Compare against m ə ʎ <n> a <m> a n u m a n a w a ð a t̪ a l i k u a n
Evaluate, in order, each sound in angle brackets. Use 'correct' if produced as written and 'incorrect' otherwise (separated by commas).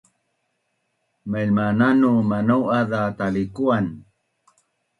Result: incorrect, incorrect